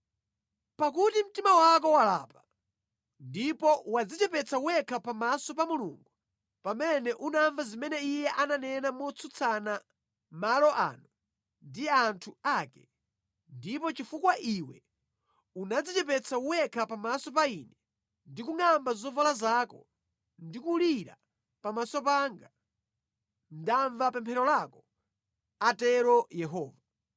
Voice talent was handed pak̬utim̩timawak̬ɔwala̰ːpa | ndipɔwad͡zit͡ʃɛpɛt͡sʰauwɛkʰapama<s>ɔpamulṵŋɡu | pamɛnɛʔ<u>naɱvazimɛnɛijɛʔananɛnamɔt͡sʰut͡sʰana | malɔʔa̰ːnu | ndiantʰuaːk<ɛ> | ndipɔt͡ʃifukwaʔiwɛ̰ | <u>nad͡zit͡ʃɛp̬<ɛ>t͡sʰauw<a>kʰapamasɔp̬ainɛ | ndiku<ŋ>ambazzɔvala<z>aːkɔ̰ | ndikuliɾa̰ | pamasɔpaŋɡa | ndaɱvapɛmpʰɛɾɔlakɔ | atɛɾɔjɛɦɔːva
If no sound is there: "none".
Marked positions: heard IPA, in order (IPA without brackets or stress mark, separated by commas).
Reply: s, u, ɛ, u, ɛ, ɛ, ŋ, z